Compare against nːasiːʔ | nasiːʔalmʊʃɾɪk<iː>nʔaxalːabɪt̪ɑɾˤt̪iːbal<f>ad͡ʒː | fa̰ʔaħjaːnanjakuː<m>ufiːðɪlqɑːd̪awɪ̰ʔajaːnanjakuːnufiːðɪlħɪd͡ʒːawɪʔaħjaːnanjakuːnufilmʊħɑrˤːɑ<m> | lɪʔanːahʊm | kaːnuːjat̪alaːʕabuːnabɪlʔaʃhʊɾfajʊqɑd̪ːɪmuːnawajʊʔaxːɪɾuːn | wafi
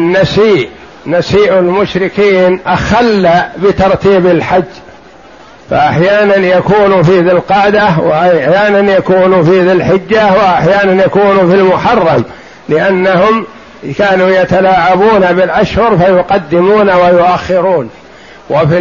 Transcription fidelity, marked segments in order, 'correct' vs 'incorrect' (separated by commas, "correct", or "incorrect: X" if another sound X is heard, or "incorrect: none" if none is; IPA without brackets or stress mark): correct, incorrect: ħ, incorrect: n, correct